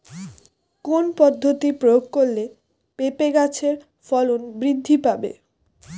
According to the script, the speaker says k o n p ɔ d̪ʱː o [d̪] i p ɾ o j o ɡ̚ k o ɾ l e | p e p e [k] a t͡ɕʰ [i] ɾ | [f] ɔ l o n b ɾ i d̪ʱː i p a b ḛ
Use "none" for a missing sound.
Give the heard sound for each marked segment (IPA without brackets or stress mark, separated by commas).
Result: t̪, ɡ, e, f